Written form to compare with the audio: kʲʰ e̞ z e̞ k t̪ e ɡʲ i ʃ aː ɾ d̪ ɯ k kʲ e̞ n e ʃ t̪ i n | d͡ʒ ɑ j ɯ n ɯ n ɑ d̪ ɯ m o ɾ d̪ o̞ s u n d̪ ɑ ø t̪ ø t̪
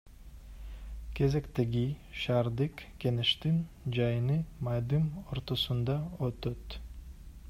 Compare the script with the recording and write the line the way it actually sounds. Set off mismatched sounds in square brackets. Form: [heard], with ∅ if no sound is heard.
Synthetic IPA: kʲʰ e̞ z e̞ k t̪ e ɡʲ i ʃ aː ɾ d̪ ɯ k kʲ e̞ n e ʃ t̪ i n | d͡ʒ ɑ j ɯ n ɯ [m] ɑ d̪ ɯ m o ɾ [t̪] o̞ s u n d̪ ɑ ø t̪ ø t̪